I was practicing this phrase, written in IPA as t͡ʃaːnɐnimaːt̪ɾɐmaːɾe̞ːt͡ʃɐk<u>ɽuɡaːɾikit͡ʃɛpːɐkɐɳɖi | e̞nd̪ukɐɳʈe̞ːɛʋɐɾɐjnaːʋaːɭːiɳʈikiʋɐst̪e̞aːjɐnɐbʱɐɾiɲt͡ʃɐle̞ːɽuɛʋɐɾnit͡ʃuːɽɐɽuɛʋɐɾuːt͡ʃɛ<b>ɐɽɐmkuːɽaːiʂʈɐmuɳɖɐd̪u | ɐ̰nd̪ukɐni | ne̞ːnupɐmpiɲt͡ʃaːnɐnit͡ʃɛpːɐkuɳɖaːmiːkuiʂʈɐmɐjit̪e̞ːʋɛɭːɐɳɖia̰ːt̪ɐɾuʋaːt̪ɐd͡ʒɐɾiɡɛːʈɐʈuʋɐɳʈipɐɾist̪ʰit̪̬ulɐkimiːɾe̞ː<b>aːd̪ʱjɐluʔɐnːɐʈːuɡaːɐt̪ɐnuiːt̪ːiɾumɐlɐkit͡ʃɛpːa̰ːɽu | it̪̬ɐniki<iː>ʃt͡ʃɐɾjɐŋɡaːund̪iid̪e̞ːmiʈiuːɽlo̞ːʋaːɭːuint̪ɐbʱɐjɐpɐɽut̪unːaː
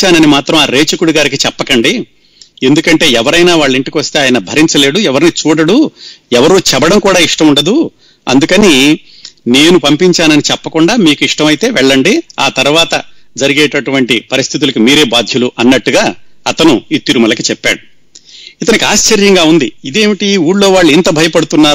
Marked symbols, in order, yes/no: yes, yes, yes, no

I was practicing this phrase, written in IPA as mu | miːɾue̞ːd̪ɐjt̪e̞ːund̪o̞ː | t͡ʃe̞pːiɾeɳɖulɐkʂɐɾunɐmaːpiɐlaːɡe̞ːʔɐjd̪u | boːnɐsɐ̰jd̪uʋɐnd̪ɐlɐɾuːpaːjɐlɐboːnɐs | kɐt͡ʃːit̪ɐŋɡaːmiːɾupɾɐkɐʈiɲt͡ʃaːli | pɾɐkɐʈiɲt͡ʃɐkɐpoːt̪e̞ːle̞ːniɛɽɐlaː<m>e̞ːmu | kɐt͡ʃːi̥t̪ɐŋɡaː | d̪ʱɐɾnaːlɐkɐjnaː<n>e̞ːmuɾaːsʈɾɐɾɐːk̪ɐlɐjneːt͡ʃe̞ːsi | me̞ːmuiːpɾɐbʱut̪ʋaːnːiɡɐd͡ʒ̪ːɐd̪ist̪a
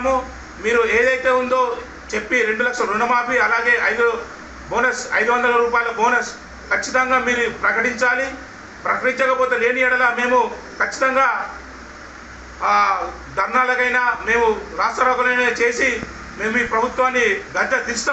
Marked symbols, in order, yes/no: yes, no

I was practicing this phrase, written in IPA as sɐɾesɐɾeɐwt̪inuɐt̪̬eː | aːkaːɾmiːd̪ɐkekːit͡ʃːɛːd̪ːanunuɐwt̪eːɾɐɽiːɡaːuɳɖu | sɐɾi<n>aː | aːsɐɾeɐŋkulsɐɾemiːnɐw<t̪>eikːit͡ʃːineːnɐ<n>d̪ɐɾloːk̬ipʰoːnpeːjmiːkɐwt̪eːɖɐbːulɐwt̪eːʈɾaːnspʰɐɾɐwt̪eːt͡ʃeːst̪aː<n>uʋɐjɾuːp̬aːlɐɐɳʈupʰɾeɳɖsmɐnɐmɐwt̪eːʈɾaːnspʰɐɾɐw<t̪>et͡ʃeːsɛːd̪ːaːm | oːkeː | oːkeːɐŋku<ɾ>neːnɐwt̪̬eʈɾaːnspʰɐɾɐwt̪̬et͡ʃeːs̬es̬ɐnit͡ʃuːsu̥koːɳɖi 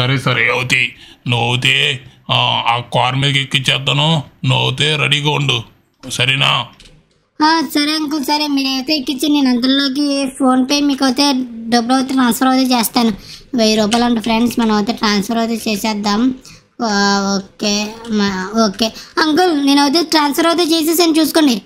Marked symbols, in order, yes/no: yes, yes, yes, yes, yes, no

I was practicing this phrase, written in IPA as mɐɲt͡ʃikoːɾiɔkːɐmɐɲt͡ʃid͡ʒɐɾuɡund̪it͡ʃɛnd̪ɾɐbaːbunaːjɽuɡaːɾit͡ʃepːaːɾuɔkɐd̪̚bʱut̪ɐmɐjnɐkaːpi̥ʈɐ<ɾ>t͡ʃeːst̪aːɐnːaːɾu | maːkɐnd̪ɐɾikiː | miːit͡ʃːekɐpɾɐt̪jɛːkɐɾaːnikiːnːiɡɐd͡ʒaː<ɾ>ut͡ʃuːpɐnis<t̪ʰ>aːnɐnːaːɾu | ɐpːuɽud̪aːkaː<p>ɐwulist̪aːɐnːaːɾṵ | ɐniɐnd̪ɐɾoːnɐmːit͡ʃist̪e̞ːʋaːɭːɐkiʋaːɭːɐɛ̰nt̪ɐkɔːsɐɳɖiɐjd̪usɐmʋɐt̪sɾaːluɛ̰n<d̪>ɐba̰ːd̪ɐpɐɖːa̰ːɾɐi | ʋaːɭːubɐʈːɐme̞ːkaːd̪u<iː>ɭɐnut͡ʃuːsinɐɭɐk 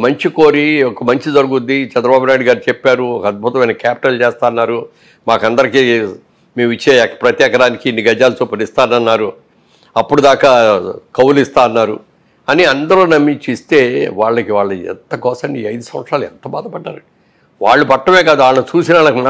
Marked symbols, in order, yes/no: no, no, no, no, no, no

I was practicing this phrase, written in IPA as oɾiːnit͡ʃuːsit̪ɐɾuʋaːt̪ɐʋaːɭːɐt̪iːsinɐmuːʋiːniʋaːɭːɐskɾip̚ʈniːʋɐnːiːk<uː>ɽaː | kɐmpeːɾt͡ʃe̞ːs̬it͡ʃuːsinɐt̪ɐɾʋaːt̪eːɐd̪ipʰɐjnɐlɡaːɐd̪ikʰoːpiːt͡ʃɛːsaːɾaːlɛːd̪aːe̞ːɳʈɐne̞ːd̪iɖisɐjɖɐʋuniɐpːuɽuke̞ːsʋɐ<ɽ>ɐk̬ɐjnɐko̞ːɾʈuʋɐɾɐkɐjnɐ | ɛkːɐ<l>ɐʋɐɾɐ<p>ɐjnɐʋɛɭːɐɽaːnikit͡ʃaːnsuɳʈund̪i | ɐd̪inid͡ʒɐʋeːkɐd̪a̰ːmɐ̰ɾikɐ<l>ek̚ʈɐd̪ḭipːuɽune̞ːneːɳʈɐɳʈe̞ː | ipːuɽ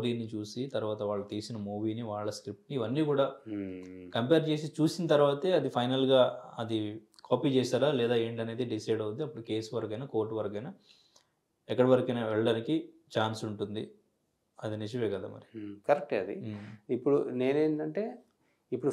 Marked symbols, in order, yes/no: yes, no, no, no, no

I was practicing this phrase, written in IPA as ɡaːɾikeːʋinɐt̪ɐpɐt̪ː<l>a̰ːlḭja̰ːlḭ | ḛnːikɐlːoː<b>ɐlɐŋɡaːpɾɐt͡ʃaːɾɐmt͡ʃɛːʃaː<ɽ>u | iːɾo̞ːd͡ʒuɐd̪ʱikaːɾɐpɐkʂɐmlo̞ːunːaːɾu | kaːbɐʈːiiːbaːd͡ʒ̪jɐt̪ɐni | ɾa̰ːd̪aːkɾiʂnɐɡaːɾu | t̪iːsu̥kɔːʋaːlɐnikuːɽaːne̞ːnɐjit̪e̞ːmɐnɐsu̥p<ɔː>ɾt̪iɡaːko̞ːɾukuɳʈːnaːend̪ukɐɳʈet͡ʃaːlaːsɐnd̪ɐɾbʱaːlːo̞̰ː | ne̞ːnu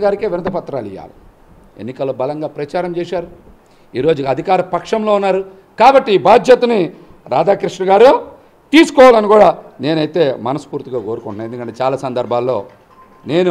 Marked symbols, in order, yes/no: no, yes, no, no

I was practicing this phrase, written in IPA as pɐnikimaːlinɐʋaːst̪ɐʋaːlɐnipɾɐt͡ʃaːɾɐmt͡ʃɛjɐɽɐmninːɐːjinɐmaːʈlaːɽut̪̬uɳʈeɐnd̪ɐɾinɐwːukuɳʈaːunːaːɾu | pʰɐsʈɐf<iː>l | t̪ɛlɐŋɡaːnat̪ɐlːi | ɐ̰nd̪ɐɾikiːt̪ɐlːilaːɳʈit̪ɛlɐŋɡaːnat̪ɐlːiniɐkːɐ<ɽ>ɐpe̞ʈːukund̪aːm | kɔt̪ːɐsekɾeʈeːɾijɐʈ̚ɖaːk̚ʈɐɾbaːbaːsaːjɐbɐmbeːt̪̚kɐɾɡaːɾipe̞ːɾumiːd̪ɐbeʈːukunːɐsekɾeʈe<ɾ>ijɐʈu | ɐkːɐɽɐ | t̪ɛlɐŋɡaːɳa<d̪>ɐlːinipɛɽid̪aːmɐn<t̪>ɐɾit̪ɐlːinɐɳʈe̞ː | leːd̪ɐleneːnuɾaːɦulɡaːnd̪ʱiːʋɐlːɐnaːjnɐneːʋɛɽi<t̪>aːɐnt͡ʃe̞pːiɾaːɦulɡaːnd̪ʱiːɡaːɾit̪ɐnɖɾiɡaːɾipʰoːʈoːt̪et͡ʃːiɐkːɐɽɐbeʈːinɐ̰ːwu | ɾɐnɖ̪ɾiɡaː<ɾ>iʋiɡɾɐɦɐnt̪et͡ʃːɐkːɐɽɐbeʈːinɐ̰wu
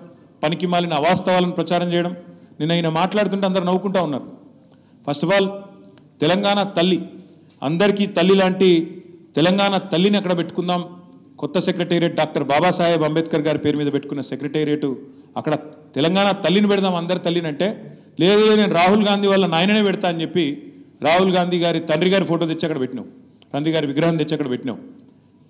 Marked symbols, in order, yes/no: no, yes, yes, no, no, yes, yes

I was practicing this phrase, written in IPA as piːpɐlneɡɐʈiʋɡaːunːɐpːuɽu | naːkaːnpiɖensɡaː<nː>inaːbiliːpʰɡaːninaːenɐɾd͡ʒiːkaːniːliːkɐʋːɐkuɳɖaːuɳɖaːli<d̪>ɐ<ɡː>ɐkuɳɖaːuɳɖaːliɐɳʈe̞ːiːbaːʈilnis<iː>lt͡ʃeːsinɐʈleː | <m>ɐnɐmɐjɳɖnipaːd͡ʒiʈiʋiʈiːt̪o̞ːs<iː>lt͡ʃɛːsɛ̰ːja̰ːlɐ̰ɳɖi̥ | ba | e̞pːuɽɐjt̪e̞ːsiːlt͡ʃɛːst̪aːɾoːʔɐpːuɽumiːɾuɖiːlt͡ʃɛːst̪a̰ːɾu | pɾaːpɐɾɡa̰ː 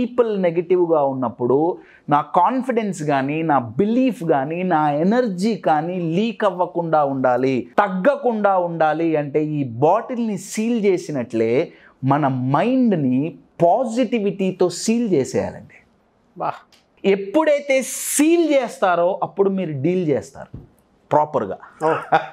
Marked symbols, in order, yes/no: no, no, yes, yes, yes, yes

